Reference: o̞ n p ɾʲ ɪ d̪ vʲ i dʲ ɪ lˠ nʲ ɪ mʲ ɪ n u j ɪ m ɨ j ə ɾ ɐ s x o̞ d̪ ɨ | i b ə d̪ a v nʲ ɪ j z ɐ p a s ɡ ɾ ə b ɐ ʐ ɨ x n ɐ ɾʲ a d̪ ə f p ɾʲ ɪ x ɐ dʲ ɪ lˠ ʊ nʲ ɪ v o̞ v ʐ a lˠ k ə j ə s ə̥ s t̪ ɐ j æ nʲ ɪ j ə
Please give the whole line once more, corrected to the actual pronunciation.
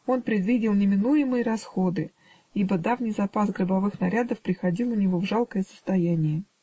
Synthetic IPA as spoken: o̞ n p ɾʲ ɪ d̪ vʲ i dʲ ɪ lˠ nʲ ɪ mʲ ɪ n u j ɪ m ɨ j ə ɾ ɐ s x o̞ d̪ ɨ | i b ə d̪ a v nʲ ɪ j z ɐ p a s ɡ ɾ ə b ɐ v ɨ x n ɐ ɾʲ a d̪ ə f p ɾʲ ɪ x ɐ dʲ i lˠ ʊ nʲ ɪ v o̞ v ʐ a lˠ k ə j ə s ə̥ s t̪ ɐ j æ nʲ ɪ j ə

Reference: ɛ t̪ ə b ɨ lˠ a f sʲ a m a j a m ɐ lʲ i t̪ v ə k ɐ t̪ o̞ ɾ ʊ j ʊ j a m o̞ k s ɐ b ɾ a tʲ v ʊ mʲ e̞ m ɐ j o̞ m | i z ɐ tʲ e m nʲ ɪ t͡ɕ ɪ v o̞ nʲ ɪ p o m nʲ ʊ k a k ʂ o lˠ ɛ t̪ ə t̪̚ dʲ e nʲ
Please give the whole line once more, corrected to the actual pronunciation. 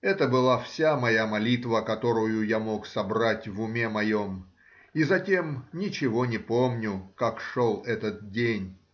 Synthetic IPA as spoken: ɛ t̪ ə b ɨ lˠ a f sʲ a m ɐ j a m ɐ lʲ i t̪ v ə k ɐ t̪ o̞ ɾ ʊ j ʊ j a m o̞ k s ɐ b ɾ a tʲ v ʊ mʲ e̞ m ɐ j o̞ m | i z ɐ tʲ e m nʲ ɪ t͡ɕ ɪ v o̞ nʲ ɪ p o m nʲ ʊ k a k ʂ o lˠ ɛ t̪ ə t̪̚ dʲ e nʲ

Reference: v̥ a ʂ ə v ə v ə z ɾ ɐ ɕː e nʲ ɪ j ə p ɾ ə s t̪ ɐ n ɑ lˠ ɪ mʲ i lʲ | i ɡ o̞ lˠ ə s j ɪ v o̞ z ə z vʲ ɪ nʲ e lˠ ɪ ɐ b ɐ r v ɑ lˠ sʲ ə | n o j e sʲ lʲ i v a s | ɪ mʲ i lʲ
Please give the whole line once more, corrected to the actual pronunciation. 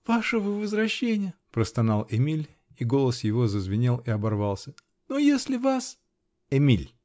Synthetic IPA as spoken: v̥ a ʂ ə v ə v ə z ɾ ɐ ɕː e nʲ ɪ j ə p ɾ ə s t̪ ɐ n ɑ lˠ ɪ mʲ i lʲ | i ɡ o̞ lˠ ə s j ɪ v o̞ z ə z vʲ ɪ nʲ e lˠ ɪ ɐ b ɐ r v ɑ lˠ sʲ ə | n o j e sʲ lʲ ɪ v a s | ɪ mʲ i lʲ

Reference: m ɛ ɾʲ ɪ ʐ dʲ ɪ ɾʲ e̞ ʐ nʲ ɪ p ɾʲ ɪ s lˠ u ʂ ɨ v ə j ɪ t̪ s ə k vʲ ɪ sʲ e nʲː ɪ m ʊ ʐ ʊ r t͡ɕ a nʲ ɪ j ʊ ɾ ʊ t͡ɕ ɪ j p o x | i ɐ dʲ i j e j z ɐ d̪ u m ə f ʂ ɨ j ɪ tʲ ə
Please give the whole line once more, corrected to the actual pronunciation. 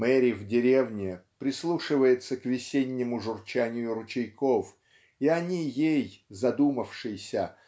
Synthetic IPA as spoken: m ɛ ɾʲ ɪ v dʲ ɪ ɾʲ e̞ v nʲ ɪ p ɾʲ ɪ s lˠ u ʂ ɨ v ə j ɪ t̪ s ə k vʲ ɪ sʲ e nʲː ɪ m ʊ ʐ ʊ r t͡ɕ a nʲ ɪ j ʊ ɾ ʊ t͡ɕ ɪ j k o f | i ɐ nʲ i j e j z ɐ d̪ u m ə f ʂ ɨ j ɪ sʲ ə

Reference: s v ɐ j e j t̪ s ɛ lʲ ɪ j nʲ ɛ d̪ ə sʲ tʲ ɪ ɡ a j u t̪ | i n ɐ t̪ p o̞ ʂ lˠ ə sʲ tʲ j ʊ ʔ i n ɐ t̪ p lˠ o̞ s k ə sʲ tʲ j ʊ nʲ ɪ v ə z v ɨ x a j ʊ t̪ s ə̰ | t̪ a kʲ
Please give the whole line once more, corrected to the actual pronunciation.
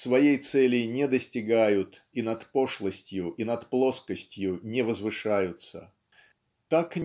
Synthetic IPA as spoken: s v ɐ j e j t̪ s ɛ lʲ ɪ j nʲ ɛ d̪ ə sʲ tʲ ɪ ɡ a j ʊ t̪ | i n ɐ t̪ p o̞ ʂ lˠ ə sʲ tʲ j ʊ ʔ i n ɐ t̪ p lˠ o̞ s k ə sʲ tʲ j ʊ nʲ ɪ v ə z v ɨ ʂ a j ʊ t̪ s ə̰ | t̪ a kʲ

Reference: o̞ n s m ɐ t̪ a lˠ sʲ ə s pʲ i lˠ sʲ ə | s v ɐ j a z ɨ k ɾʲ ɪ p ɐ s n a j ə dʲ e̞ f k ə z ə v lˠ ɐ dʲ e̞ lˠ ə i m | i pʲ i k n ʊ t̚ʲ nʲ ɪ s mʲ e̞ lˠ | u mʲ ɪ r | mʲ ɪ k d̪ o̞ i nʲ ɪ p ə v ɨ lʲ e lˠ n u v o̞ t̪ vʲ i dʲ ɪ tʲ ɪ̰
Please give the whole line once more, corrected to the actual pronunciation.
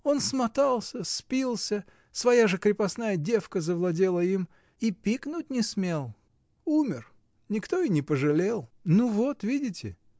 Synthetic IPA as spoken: o̞ n s m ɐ t̪ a lˠ sʲ ə s pʲ i lˠ sʲ ə | s v ɐ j a ʐ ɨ k ɾʲ ɪ p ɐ s n a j ə dʲ e̞ f k ə z ə v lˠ ɐ dʲ e̞ lˠ ə i m | i pʲ i k n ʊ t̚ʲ nʲ ɪ s mʲ e̞ lˠ | u mʲ ɪ r | nʲ ɪ k t̪ o̞ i nʲ ɪ p ə ʐ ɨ lʲ e lˠ n u v o̞ t̪ vʲ i dʲ ɪ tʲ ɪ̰

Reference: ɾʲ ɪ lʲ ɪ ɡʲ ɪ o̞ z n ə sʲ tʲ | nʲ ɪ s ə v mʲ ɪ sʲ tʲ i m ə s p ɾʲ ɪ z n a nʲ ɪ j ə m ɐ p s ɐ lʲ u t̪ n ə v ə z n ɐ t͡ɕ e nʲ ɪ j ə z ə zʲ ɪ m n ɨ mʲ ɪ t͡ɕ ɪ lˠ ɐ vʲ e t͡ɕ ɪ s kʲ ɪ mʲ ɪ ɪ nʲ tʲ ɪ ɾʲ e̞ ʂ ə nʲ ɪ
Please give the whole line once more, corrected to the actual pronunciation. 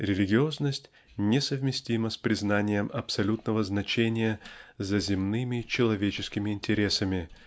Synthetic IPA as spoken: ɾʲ ɪ lʲ ɪ ɡʲ ɪ o̞ z n ə sʲ tʲ | nʲ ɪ s ə v mʲ ɪ sʲ tʲ i m ə s p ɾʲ ɪ z n a nʲ ɪ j ə m ɐ p s ɐ lʲ u t̪ n ə v ə z n ɐ t͡ɕ e nʲ ɪ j ə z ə zʲ ɪ m n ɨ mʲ ɪ t͡ɕ ɪ lˠ ɐ vʲ e t͡ɕ ɪ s kʲ ɪ mʲ ɪ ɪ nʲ tʲ ɪ ɾʲ e̞ s ə mʲ ɪ

